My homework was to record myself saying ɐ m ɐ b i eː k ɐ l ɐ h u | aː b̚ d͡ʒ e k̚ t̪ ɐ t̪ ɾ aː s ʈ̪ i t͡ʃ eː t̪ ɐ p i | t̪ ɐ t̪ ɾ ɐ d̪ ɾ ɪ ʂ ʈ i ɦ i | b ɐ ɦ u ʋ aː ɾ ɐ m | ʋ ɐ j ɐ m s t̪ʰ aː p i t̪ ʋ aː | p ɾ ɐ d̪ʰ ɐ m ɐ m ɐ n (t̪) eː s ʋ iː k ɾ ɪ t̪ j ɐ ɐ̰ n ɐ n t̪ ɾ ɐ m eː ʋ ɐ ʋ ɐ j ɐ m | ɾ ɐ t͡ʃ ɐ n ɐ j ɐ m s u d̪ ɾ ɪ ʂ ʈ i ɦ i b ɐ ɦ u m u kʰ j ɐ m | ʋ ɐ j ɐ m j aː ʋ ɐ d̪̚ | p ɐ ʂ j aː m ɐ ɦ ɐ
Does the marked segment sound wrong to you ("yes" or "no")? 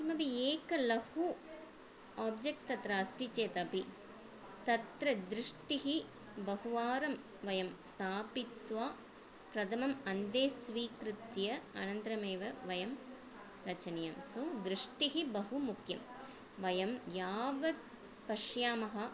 yes